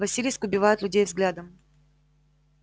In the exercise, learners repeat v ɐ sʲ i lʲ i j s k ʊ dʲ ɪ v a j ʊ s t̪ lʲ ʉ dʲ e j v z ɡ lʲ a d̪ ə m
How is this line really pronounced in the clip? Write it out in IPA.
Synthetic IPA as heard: v ɐ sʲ i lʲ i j s k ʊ bʲ ɪ v a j ʊ t̪ lʲ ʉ dʲ e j v z ɡ lʲ a d̪ ə m